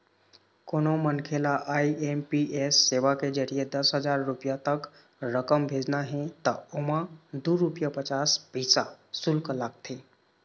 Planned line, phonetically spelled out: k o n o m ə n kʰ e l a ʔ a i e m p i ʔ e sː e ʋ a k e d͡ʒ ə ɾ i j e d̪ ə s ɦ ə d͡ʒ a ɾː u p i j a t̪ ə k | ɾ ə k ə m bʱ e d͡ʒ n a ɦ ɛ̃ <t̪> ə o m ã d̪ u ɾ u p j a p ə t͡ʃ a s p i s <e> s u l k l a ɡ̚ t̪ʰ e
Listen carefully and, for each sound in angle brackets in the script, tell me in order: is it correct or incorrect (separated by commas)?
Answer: correct, incorrect